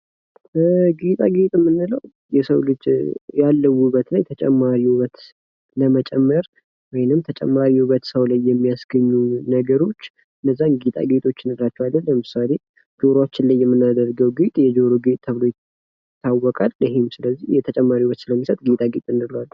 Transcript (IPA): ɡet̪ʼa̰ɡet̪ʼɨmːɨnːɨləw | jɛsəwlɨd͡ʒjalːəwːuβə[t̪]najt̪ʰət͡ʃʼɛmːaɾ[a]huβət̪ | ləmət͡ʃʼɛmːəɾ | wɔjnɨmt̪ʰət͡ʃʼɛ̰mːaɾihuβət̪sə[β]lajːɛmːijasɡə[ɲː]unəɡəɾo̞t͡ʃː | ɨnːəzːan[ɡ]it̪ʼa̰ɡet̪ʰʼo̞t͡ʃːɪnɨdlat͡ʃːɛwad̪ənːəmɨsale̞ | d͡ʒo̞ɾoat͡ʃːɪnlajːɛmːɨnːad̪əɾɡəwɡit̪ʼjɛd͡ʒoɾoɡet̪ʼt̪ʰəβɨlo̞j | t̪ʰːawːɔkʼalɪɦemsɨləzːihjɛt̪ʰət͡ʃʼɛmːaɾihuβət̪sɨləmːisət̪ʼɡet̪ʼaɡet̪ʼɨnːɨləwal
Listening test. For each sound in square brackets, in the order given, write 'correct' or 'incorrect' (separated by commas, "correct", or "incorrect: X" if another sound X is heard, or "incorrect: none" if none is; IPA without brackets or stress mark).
correct, incorrect: i, incorrect: w, correct, correct